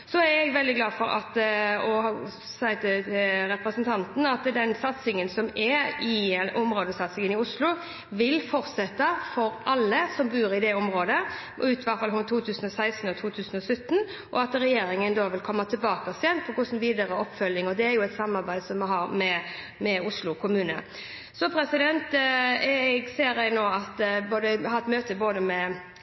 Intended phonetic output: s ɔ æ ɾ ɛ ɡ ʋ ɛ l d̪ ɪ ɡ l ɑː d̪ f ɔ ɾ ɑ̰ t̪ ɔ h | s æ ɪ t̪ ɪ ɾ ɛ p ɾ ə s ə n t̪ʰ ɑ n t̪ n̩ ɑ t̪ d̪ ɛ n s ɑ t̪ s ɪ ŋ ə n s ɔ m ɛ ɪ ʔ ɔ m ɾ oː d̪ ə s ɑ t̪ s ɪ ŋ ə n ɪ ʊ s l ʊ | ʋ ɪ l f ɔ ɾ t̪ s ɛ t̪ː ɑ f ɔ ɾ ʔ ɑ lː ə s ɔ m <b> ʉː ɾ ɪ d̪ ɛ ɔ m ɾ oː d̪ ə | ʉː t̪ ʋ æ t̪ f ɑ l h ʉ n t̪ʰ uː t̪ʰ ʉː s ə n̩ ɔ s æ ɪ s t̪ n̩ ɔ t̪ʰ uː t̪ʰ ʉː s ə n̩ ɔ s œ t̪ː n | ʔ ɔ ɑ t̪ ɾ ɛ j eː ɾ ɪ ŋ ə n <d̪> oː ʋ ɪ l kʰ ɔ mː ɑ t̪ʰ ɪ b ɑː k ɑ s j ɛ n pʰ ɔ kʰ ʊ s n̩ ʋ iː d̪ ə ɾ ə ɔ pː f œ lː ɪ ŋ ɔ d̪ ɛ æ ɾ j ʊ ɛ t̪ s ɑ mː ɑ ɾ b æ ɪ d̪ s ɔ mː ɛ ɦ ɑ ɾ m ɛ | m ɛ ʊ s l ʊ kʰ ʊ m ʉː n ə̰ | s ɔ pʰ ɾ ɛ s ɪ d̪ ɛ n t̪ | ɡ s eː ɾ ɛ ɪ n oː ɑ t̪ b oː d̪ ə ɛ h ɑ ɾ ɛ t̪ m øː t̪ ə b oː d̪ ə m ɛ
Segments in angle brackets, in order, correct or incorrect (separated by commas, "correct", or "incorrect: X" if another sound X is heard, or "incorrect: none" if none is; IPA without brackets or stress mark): correct, correct